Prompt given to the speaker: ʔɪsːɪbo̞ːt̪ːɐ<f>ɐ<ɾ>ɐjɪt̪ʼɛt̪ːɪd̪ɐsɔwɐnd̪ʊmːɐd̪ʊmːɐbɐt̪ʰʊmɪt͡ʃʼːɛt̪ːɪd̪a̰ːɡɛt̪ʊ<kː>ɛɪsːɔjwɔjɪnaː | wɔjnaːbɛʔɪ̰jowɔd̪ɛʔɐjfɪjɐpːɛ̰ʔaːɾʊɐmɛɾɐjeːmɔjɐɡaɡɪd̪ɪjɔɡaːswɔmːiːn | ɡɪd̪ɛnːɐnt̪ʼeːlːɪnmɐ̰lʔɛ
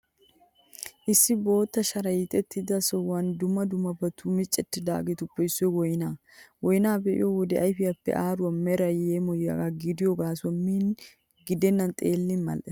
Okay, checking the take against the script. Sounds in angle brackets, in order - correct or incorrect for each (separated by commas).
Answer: incorrect, correct, incorrect